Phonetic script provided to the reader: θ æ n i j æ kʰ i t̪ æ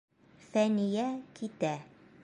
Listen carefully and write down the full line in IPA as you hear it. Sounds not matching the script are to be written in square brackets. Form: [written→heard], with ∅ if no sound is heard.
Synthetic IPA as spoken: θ æ n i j æ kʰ i t̪ æ